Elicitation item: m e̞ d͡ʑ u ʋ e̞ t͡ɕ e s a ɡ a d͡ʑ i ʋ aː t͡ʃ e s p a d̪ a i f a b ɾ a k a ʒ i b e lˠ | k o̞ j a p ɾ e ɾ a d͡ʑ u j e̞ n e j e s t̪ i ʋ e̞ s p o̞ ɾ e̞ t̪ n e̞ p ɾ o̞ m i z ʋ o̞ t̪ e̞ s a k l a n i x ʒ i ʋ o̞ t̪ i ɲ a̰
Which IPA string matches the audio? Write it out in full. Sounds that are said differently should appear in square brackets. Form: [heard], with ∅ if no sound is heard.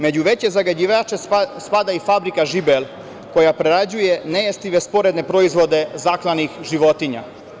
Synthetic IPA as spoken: m e̞ d͡ʑ u ʋ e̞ t͡ɕ e [z] a ɡ a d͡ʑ i ʋ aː t͡ʃ e s p a d̪ a i f a b ɾ [i] k a ʒ i b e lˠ | k o̞ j a p ɾ e ɾ a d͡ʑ u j e̞ n e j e s t̪ i ʋ e̞ s p o̞ ɾ e̞ [d̪] n e̞ p ɾ o̞ [∅] i z ʋ o̞ [d̪] e̞ [z] a k l a n i x ʒ i ʋ o̞ t̪ i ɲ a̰

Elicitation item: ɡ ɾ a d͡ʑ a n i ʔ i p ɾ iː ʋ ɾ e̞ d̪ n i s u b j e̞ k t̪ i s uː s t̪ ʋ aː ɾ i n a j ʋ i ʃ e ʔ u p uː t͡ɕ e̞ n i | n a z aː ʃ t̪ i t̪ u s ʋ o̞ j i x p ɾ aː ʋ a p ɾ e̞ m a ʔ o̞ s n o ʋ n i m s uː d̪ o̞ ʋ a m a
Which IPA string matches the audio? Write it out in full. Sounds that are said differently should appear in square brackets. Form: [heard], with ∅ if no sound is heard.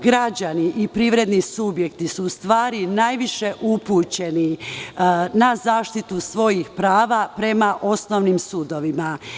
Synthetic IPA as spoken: ɡ ɾ a d͡ʑ a n i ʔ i p ɾ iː ʋ ɾ e̞ d̪ n i s u b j e̞ k t̪ i s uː s t̪ ʋ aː ɾ i n a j ʋ i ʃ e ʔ u p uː t͡ɕ e̞ n i | n a z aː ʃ t̪ i t̪ u s ʋ o̞ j i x p ɾ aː ʋ a p ɾ e̞ m a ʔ o̞ s n o ʋ n i m s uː d̪ o̞ ʋ [i] m a

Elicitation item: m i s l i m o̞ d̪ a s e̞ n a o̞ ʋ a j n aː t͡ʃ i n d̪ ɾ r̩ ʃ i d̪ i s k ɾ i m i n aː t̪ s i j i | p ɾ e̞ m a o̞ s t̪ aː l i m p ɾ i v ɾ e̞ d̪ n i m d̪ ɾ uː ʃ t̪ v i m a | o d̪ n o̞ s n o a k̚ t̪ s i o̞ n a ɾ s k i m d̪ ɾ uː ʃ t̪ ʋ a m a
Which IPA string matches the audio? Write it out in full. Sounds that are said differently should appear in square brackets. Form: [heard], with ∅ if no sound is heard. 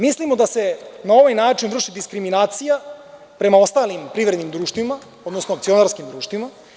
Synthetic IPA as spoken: m i s l i m o̞ d̪ a s e̞ n a o̞ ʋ a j n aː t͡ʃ i n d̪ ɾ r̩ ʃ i d̪ i s k ɾ i m i n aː t̪ s i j [a] | p ɾ e̞ m a o̞ s t̪ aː l i m p ɾ i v ɾ e̞ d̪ n i m d̪ ɾ uː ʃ t̪ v i m a | o d̪ n o̞ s n o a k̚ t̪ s i o̞ n a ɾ s k i m d̪ ɾ uː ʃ t̪ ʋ [i] m a

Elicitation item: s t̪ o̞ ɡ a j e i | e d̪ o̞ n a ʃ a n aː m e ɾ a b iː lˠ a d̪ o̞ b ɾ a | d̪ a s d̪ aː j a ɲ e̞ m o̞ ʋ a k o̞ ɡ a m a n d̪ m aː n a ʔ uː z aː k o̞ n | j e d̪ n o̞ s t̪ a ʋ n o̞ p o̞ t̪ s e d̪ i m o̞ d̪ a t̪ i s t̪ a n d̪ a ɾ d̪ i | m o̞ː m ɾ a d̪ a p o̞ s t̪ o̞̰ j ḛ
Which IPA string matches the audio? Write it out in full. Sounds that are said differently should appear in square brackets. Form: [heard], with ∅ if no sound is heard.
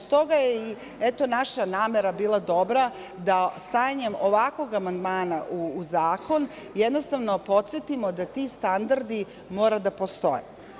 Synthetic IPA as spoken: s t̪ o̞ ɡ a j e i | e [t̪] o̞ n a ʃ a n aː m e ɾ a b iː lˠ a d̪ o̞ b ɾ a | d̪ a s [t̪] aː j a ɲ e̞ m o̞ ʋ a k o̞ ɡ a m a n d̪ m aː n a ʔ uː z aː k o̞ n | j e d̪ n o̞ s t̪ a ʋ n o̞ p o̞ t̪ s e [t̪] i m o̞ d̪ a t̪ i s t̪ a n d̪ a ɾ d̪ i | m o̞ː [∅] ɾ a d̪ a p o̞ s t̪ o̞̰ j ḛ

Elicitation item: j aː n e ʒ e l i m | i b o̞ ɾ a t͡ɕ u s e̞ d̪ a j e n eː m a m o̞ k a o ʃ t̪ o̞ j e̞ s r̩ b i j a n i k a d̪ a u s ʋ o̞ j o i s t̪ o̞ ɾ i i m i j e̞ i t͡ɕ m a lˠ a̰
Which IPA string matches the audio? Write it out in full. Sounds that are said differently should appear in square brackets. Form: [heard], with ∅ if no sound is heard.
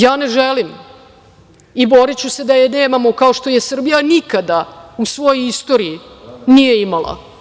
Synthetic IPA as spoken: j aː n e ʒ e l i m | i b o̞ ɾ [i] t͡ɕ u s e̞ d̪ a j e n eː m a m o̞ k a o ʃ t̪ o̞ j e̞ s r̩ b i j a n i k a d̪ a u s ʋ o̞ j o i s t̪ o̞ ɾ i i [n] i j e̞ i [∅] m a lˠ a̰

